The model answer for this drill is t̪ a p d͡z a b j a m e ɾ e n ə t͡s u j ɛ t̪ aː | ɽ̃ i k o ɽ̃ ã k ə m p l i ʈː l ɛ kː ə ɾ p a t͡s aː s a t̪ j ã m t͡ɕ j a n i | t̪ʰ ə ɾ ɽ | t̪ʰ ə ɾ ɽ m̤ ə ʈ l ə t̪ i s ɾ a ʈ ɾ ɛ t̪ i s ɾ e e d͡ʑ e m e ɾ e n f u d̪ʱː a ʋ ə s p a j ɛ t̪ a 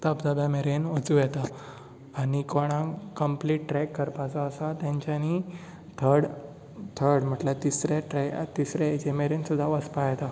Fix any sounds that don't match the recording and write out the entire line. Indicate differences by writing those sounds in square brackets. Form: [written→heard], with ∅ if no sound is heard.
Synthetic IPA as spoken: t̪ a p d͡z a b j a m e ɾ e n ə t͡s u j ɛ t̪ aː | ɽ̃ i k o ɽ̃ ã k ə m p l i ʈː [l→ɾ] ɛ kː ə ɾ p a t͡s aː s a t̪ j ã [m→ɲ] t͡ɕ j a n i | t̪ʰ ə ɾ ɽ | t̪ʰ ə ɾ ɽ m̤ ə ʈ l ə t̪ i s ɾ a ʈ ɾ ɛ t̪ i s ɾ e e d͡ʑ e m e ɾ e n [f→s] u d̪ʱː a ʋ ə s p a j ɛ t̪ a